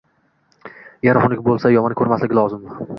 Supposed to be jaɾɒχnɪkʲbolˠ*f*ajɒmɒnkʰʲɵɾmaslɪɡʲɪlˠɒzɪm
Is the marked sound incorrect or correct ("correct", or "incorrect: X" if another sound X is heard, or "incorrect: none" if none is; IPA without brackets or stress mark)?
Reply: incorrect: s